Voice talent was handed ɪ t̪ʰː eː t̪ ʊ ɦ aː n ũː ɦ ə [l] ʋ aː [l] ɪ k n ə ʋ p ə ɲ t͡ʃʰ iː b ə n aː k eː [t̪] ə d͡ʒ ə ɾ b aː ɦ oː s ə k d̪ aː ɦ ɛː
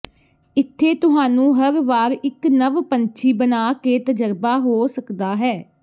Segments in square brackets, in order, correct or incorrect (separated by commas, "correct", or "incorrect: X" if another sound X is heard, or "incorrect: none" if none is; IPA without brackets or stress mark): incorrect: ɾ, incorrect: ɾ, correct